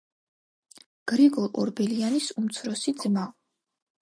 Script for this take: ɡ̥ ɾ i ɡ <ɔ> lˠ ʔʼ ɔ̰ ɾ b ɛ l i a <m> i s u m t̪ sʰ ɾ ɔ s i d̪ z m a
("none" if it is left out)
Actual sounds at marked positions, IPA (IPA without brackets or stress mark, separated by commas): ɔ, n